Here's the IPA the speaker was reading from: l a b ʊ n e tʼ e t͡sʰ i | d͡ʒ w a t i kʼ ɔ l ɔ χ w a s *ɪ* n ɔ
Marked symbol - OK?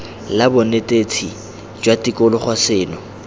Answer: no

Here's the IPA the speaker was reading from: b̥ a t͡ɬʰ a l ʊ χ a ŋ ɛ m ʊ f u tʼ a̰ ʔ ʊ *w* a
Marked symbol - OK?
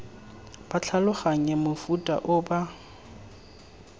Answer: no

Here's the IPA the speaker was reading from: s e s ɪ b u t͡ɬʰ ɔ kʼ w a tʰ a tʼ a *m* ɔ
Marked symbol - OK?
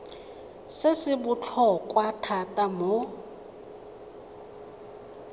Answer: yes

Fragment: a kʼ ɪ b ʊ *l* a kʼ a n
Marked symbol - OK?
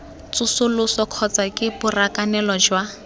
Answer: no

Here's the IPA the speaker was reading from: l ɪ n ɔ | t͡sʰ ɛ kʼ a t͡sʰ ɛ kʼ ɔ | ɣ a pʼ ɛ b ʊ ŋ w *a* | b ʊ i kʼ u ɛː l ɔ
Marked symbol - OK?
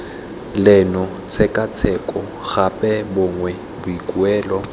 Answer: no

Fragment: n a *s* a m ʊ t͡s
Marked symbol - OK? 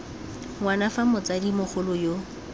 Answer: no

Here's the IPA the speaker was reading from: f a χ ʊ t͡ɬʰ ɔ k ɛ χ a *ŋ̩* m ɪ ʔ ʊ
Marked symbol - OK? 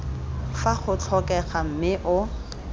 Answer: no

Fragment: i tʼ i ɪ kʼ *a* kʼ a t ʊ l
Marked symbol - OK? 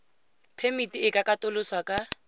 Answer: yes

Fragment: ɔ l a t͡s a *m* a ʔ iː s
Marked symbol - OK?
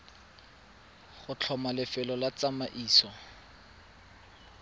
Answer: yes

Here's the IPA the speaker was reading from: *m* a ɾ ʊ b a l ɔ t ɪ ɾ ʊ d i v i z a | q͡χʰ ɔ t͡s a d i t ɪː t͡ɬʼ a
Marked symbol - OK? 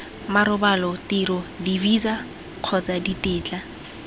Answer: yes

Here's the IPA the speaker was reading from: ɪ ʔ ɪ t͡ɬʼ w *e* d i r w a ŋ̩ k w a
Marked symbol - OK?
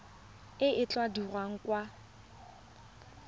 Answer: no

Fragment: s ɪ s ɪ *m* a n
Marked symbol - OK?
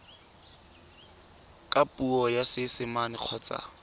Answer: yes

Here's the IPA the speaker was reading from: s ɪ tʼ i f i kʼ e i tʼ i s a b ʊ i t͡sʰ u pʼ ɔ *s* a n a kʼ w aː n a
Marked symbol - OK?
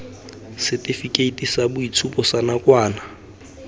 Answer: yes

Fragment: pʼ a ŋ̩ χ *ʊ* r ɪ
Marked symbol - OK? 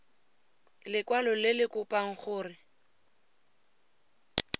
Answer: no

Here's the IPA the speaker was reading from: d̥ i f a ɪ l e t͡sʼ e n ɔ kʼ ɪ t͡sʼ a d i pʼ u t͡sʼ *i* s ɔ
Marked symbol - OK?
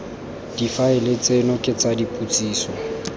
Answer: no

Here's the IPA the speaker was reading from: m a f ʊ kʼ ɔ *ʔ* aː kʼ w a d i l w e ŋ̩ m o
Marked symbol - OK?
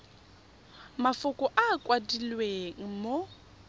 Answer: yes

